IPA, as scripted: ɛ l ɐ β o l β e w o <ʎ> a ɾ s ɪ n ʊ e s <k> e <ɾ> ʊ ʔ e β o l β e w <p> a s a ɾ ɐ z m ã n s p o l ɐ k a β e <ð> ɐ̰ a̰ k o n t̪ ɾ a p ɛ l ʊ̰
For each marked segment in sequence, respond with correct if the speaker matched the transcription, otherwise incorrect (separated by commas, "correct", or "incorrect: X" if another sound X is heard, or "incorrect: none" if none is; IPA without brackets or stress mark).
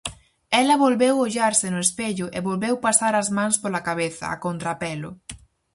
correct, incorrect: p, incorrect: ʎ, correct, incorrect: θ